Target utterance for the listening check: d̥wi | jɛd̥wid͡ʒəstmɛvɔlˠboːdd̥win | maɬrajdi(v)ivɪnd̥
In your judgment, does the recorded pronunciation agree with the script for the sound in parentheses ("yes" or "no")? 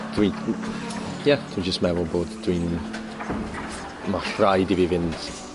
yes